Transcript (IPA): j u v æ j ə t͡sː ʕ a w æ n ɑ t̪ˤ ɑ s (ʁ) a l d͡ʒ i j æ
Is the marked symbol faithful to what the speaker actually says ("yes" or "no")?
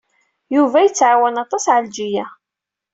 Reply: no